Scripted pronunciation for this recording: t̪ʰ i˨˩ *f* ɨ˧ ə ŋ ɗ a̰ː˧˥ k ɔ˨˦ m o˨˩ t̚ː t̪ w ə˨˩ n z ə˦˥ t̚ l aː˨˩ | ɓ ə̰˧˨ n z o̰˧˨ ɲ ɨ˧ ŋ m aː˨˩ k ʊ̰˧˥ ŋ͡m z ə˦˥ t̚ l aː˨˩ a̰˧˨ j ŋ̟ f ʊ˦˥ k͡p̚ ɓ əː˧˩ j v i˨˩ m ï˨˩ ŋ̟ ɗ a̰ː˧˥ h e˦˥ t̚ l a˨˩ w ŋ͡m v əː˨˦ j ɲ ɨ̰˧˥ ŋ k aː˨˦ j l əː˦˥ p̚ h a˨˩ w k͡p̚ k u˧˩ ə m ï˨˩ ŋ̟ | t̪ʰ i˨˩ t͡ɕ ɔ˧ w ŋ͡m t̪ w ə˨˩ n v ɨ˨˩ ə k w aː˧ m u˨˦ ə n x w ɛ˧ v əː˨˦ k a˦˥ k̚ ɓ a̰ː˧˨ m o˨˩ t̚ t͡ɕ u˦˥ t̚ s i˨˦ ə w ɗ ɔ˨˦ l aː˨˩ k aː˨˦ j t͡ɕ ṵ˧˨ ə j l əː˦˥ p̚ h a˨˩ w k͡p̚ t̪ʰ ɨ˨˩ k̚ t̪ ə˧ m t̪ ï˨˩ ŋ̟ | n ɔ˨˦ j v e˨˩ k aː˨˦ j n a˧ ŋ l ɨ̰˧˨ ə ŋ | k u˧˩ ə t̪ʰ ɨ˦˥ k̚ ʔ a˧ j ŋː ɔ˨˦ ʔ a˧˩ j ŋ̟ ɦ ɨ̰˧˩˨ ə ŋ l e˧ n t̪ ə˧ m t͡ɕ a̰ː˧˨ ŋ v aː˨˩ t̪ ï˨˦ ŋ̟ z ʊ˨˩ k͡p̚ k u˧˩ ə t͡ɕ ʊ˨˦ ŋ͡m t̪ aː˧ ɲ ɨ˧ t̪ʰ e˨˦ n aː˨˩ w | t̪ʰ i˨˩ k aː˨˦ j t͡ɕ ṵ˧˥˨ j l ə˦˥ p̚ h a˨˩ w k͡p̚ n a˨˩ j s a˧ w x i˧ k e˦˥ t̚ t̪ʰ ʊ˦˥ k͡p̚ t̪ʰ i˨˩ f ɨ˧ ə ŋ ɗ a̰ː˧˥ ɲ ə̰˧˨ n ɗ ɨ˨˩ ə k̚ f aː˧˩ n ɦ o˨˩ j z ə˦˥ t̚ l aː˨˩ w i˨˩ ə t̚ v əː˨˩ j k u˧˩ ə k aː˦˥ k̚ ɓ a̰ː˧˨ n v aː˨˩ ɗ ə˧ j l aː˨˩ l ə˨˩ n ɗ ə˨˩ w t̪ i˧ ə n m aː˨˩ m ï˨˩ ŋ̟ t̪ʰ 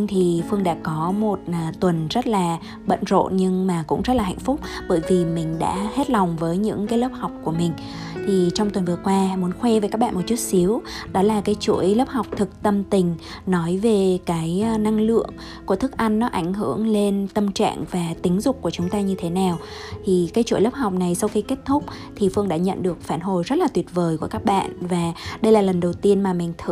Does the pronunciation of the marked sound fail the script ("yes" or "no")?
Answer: no